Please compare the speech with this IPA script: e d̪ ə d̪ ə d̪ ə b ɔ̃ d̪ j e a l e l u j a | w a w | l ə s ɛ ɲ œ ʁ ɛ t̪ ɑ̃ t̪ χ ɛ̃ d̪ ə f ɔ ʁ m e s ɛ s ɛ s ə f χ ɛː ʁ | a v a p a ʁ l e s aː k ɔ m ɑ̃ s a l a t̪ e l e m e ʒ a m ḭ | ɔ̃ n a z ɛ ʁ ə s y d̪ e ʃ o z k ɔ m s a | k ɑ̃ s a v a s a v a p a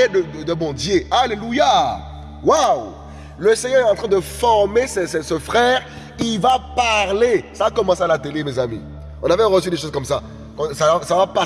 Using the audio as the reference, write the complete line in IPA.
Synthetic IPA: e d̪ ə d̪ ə d̪ ə b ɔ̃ d̪ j e a l e l u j a | w a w | l ə s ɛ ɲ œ ʁ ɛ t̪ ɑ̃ t̪ χ ɛ̃ d̪ ə f ɔ ʁ m e s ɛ s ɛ s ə f χ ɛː ʁ | i v a p a ʁ l e s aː k ɔ m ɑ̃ s a l a t̪ e l e m e z a m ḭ | ɔ̃ n a v ɛ ʁ ə s y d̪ e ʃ o z k ɔ m s a | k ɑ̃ s a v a s a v a p a